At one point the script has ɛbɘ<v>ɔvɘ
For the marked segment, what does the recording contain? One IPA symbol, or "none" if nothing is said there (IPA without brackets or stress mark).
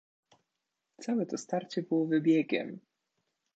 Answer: w